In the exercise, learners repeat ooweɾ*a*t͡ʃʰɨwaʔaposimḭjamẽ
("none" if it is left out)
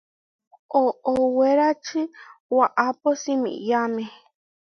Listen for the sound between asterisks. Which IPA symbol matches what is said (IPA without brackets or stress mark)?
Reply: a